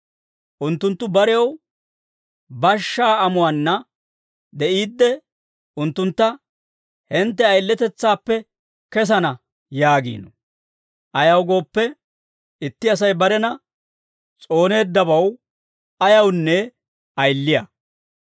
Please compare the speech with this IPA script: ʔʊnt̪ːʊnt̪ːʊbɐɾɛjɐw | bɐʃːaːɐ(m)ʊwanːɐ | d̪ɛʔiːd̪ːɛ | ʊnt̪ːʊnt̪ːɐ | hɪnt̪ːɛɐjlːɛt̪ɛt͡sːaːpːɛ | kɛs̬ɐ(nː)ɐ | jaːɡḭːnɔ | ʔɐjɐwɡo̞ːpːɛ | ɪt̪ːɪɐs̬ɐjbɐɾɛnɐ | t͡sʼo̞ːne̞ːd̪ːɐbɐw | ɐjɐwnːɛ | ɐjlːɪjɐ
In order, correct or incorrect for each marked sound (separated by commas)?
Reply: correct, incorrect